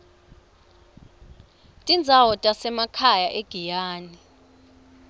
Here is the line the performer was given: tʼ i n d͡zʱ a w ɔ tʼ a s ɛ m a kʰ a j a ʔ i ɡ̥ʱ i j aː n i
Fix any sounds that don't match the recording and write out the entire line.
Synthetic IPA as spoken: tʼ i n d͡zʱ a w ɔ tʼ a s ɛ m a kʰ a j a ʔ e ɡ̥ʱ i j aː n i